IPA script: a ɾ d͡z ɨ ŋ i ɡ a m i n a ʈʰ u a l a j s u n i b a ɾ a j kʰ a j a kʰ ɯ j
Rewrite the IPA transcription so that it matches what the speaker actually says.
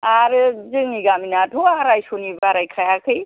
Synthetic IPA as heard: a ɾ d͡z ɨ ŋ i ɡ a m i n a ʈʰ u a ɾ a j s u n i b a ɾ a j kʰ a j a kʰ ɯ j